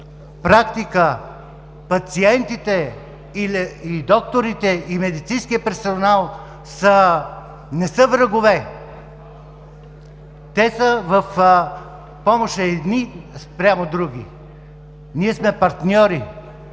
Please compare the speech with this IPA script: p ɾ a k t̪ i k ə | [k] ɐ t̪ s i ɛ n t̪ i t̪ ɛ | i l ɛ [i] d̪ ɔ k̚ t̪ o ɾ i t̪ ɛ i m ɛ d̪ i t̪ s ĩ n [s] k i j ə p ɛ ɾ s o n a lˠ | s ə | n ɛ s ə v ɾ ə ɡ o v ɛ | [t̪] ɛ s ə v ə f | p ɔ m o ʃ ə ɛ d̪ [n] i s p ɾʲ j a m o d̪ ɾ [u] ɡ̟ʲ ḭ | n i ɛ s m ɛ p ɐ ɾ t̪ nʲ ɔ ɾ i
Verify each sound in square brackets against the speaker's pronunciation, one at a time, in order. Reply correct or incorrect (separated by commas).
incorrect, correct, correct, correct, correct, correct